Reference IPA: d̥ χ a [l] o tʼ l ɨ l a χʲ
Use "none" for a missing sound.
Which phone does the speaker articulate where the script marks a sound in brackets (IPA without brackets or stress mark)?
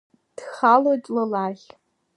l